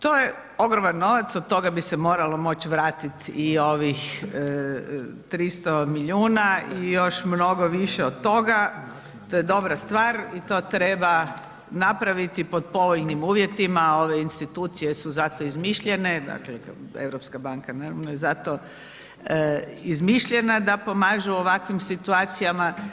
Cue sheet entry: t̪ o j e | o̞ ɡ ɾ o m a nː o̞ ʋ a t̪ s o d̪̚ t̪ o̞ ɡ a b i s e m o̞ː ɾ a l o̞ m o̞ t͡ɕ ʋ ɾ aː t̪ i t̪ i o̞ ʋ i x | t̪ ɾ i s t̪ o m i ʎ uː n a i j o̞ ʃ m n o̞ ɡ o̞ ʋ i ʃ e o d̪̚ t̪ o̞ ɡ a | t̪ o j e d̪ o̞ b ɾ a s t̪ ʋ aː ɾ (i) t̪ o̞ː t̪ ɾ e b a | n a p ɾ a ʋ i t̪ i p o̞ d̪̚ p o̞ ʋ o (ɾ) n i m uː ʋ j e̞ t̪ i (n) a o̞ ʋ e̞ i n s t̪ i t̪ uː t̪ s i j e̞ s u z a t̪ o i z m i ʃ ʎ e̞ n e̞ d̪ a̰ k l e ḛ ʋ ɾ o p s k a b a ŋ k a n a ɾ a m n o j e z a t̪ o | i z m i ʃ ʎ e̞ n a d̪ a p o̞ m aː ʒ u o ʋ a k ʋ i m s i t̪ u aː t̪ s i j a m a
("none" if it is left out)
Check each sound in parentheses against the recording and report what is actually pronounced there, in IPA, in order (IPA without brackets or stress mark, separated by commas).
i, ʎ, m